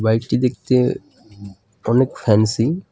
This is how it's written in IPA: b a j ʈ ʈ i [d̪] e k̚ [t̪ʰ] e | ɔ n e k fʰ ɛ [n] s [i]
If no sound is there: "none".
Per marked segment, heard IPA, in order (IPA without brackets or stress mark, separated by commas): d̪, t̪, n, i